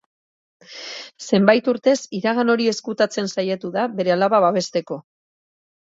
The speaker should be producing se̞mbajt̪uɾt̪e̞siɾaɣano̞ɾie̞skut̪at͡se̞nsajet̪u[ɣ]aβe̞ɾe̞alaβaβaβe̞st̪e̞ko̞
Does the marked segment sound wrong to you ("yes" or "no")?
yes